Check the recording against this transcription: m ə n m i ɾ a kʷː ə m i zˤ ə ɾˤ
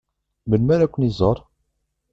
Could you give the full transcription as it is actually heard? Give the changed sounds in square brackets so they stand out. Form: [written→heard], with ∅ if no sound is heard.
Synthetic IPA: m ə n m [i→æ] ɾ [a→æ] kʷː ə [m→n] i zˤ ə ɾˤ